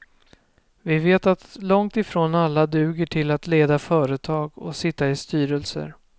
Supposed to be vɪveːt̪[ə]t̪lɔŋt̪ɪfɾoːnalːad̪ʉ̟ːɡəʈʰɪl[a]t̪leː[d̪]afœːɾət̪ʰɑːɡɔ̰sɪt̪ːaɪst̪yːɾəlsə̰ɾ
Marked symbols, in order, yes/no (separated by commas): no, yes, yes